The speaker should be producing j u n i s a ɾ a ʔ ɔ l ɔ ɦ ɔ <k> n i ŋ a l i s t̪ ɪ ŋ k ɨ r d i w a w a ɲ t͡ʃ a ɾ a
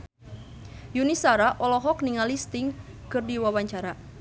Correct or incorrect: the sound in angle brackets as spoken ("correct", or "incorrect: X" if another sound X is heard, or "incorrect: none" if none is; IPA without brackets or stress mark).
correct